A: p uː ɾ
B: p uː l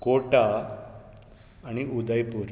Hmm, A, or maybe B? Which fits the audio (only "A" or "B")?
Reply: A